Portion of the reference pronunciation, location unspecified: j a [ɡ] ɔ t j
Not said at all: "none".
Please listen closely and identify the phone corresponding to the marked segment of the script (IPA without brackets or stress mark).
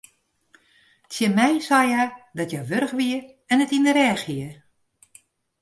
d